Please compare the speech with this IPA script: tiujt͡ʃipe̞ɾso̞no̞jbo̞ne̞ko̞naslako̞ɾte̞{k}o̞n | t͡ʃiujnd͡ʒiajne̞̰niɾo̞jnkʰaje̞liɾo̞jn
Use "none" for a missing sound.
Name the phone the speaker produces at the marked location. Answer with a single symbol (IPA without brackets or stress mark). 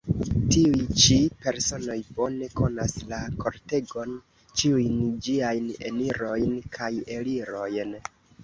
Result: ɡ